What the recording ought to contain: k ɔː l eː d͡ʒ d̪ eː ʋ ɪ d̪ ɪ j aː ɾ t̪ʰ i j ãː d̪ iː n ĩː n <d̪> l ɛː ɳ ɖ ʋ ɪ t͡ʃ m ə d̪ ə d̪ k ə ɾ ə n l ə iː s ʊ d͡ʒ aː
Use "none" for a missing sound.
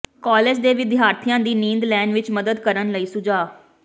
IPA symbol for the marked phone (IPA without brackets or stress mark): d̪